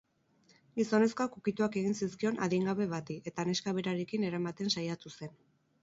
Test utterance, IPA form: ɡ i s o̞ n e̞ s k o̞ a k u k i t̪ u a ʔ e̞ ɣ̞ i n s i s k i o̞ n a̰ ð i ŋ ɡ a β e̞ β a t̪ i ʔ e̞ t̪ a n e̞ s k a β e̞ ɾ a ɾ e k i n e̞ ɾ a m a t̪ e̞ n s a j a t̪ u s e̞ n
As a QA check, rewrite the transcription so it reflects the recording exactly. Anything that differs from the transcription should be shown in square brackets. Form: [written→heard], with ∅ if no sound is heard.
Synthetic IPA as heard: ɡ i s o̞ n e̞ s k o̞ a k u k i t̪ u a [ʔ→k] e̞ ɣ̞ i n s i s k i o̞ n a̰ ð i ŋ ɡ a β e̞ β a t̪ i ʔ e̞ t̪ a n e̞ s k a β e̞ ɾ a ɾ e k i n e̞ ɾ a m a t̪ e̞ n s a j a t̪ u s e̞ n